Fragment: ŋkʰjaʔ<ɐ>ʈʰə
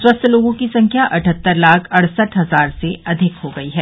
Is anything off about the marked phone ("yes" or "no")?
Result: no